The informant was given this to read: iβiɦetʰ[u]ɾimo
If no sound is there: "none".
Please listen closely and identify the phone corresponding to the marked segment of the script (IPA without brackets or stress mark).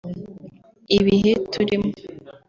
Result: u